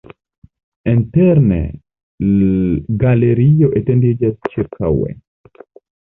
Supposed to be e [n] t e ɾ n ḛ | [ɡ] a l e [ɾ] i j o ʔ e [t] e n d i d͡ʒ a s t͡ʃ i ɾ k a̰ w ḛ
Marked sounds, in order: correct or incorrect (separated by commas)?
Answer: correct, correct, correct, correct